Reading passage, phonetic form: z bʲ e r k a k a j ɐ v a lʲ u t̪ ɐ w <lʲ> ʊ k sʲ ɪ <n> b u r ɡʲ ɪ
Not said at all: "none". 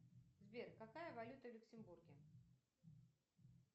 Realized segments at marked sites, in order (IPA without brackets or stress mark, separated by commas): lʲ, m